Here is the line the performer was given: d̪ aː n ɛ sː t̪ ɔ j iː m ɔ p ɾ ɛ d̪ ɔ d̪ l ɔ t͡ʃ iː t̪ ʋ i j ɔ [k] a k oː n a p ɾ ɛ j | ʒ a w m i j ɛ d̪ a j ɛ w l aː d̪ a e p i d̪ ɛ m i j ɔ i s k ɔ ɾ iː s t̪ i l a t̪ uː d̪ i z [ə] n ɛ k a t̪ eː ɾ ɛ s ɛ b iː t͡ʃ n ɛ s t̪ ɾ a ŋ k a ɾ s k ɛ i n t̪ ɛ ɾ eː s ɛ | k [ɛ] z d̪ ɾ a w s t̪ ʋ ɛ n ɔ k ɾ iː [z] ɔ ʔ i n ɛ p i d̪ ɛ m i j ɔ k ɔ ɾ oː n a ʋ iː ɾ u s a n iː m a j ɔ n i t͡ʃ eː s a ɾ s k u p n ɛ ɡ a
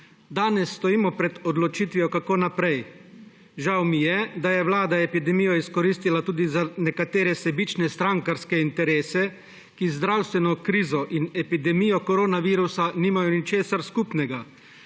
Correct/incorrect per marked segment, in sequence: correct, incorrect: a, incorrect: i, correct

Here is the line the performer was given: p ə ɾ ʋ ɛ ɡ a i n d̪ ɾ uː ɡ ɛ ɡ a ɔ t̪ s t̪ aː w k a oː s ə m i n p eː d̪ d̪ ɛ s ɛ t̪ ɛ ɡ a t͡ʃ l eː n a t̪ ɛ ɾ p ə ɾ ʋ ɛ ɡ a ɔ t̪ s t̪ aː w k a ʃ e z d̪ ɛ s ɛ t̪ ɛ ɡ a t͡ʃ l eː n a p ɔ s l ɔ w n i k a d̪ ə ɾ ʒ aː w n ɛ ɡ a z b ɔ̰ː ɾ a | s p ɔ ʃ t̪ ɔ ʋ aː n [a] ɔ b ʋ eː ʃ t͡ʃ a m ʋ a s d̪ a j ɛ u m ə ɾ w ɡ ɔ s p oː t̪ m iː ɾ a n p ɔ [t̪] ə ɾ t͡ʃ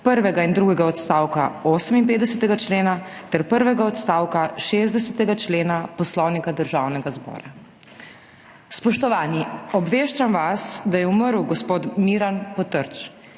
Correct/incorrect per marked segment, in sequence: incorrect: i, correct

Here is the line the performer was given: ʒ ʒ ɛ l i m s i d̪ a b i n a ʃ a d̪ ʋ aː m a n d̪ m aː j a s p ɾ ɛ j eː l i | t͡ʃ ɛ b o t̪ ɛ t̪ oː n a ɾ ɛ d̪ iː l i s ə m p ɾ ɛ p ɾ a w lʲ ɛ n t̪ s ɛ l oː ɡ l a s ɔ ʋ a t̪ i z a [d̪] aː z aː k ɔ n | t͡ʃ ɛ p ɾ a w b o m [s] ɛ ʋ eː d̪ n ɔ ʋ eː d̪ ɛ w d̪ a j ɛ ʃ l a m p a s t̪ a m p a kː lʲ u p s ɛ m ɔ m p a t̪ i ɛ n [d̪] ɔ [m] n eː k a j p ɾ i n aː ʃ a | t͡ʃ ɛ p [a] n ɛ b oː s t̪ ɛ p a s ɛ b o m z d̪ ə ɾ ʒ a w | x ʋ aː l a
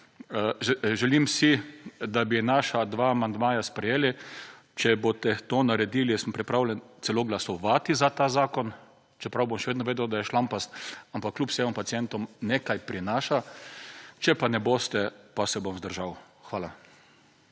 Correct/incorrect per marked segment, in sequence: incorrect: t̪, incorrect: ʃ, incorrect: t̪, correct, correct

